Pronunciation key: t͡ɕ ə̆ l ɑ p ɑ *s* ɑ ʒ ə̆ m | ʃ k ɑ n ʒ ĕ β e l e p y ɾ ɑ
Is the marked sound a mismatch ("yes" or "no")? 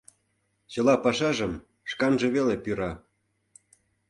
yes